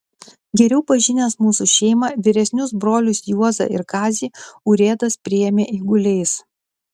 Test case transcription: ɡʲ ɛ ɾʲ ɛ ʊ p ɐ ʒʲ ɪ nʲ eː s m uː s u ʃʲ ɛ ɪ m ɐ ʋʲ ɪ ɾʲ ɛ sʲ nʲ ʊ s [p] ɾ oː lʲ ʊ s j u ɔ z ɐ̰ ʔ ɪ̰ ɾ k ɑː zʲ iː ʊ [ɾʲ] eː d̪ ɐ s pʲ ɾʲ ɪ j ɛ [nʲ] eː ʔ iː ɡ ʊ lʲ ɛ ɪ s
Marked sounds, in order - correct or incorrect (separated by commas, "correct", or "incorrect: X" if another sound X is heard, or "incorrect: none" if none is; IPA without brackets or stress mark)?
incorrect: b, correct, incorrect: mʲ